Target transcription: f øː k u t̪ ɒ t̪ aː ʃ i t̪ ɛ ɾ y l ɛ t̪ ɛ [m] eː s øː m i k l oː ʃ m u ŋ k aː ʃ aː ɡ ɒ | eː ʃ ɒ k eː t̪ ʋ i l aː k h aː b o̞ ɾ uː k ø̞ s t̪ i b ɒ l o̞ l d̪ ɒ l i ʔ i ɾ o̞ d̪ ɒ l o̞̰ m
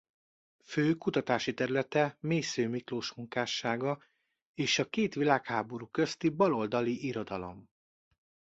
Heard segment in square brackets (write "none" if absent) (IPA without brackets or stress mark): m